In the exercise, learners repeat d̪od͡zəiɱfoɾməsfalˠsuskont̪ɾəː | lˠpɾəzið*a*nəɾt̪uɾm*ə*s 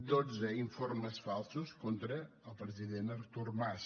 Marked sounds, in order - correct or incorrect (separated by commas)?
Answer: incorrect, incorrect